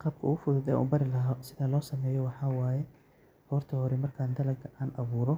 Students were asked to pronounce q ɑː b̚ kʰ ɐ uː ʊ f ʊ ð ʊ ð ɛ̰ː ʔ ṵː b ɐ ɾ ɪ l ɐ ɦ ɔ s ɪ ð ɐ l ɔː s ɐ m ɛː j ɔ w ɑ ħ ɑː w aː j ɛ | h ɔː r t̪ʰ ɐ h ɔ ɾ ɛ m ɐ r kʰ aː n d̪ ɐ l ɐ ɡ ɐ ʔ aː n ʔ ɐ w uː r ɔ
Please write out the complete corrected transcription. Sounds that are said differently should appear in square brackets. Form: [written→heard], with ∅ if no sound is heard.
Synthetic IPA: q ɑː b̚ kʰ ɐ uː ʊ f ʊ ð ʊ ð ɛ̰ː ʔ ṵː b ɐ ɾ ɪ l ɐ ɦ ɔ s ɪ ð ɐ l ɔː s ɐ m ɛː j ɔ w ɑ ħ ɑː w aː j ɛ | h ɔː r t̪ʰ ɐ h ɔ ɾ ɛ m ɐ r kʰ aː n d̪ ɐ l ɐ ɡ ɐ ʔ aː n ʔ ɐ [w→β] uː [r→ɾ] ɔ